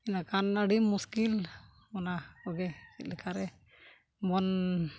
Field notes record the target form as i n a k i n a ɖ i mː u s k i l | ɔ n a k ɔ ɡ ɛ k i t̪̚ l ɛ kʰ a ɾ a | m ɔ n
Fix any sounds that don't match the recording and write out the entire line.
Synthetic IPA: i n a k a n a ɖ i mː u s k i l | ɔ n a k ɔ ɡ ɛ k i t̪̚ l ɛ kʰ a ɾ ɛ | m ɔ n